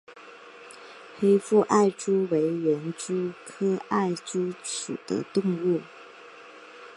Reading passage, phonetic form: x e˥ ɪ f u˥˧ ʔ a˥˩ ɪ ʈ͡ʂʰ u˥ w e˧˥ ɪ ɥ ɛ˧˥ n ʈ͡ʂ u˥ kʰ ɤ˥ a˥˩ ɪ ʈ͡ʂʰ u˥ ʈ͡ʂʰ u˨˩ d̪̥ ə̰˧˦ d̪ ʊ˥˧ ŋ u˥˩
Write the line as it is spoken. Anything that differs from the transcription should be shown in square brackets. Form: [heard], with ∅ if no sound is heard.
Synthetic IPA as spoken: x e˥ ɪ f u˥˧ ʔ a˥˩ ɪ [ʈ͡ʂ] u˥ w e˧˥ ɪ ɥ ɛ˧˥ n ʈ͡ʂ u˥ kʰ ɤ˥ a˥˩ ɪ [ʈ͡ʂ] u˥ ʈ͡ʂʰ u˨˩ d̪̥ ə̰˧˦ [t̪] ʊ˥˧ ŋ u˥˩